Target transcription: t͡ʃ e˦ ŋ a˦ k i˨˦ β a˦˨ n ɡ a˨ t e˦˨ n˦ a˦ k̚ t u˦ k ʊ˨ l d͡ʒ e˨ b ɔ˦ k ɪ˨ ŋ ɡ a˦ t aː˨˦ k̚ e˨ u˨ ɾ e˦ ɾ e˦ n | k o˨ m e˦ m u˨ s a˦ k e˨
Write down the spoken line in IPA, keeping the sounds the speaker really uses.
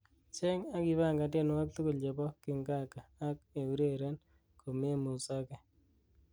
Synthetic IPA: t͡ʃ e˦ ŋ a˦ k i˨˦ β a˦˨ ŋ ɡ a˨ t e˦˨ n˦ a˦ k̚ t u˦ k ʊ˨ l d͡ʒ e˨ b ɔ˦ k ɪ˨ ŋ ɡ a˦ k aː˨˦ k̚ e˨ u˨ ɾ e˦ ɾ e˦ n | k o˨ m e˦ m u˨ s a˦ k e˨